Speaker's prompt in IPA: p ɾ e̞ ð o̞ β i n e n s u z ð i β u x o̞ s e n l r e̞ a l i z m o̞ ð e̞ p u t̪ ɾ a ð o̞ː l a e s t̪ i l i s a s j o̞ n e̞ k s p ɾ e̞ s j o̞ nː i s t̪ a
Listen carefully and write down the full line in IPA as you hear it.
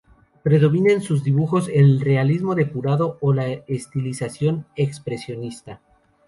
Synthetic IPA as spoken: p ɾ e̞ ð o̞ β i n e n s u z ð i β u x o̞ s e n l r e̞ a l i z m o̞ ð e̞ p u ɾ a ð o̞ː l a e s t̪ i l i s a s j o̞ n e̞ k s p ɾ e̞ s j o̞ n i s t̪ a